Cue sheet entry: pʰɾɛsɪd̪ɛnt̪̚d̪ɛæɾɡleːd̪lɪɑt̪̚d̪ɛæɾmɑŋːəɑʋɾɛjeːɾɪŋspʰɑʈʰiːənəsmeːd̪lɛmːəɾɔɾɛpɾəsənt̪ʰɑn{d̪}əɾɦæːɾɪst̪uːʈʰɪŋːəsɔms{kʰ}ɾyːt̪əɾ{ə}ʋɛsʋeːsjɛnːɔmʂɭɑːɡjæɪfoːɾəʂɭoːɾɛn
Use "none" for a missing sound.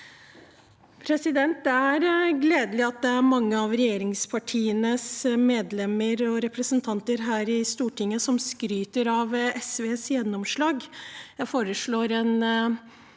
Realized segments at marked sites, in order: t̪, k, ɑ

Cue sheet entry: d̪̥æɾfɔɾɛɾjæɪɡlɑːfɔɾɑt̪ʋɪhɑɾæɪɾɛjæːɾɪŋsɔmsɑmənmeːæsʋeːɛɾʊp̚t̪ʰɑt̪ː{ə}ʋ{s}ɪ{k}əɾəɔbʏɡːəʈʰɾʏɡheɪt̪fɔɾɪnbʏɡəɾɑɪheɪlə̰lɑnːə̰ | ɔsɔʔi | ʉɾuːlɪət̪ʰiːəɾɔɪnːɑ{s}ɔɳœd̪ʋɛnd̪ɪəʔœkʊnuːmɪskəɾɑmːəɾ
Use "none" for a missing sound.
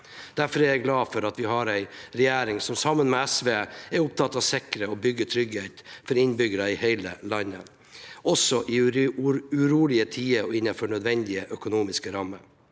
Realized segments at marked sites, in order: ɑ, s, k, f

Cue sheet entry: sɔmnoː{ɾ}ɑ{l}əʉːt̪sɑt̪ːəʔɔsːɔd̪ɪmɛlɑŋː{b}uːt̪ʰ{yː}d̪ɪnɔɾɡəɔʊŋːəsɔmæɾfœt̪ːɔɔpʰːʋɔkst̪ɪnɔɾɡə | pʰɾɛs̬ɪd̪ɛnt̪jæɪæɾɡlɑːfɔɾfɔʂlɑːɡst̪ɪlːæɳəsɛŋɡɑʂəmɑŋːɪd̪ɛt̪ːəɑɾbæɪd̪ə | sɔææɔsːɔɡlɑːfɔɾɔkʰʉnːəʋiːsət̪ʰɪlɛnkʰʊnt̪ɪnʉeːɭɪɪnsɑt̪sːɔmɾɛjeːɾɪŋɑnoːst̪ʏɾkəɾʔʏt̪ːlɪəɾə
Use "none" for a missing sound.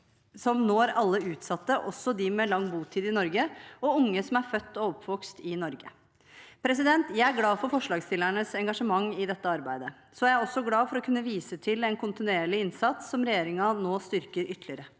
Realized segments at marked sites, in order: ɾ, lː, b, iː

